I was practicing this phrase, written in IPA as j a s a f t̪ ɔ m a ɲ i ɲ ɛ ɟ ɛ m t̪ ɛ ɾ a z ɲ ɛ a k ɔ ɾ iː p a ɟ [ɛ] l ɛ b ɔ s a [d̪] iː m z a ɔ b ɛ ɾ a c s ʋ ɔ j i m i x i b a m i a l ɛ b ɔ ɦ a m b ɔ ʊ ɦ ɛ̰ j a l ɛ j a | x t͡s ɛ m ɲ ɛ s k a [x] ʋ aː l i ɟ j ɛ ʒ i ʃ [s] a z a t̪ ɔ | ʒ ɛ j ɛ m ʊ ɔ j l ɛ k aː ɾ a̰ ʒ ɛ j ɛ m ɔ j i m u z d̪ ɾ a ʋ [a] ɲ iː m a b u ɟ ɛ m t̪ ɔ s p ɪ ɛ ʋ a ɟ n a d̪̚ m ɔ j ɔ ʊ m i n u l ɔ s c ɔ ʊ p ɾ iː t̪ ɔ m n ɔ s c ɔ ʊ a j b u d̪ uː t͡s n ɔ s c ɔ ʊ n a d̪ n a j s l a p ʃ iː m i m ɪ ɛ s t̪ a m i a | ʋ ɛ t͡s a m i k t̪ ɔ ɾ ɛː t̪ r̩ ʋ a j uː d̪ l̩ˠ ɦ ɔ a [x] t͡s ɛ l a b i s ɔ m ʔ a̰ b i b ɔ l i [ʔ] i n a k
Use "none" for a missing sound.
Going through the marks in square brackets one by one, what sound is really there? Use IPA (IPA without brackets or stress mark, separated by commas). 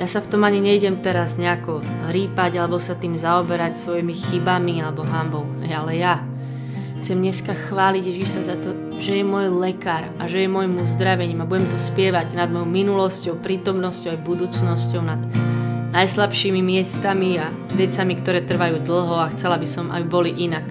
a, t̪, x, s, ɛ, x, ʔ